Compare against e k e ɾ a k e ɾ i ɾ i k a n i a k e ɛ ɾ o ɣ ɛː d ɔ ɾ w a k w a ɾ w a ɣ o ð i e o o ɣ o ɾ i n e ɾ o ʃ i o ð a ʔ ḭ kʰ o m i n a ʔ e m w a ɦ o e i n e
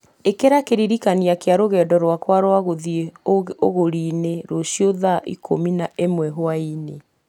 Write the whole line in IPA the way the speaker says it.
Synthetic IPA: e k e ɾ a k e ɾ i ɾ i k a n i a k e a ɾ o ɣ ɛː d ɔ ɾ w a k w a ɾ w a ɣ o ð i e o o ɣ o ɾ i n e ɾ o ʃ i o ð a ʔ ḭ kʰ o m i n a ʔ e m w ɛ ɦ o a i n e